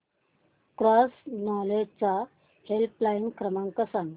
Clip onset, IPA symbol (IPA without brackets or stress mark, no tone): k